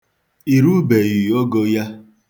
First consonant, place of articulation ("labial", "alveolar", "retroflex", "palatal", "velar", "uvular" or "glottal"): alveolar